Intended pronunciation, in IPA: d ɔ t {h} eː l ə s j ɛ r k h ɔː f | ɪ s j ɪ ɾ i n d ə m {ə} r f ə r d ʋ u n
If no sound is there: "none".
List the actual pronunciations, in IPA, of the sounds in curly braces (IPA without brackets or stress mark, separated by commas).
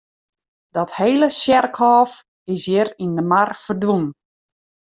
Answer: h, a